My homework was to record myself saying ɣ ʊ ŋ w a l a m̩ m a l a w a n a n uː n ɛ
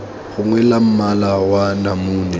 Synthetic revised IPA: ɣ ʊ ŋ w ɛ l a m̩ m a l a w a n a m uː n ɛ